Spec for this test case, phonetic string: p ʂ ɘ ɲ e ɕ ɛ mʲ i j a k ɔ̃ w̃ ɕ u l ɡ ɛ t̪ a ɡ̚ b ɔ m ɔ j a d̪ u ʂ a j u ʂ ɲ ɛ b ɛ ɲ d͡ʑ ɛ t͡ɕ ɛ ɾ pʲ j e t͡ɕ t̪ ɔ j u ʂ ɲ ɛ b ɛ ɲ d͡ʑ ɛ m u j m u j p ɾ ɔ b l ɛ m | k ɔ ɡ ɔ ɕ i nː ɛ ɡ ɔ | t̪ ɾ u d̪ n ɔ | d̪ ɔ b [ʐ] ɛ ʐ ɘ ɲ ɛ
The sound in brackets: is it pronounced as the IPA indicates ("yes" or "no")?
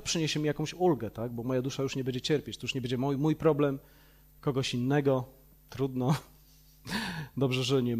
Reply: yes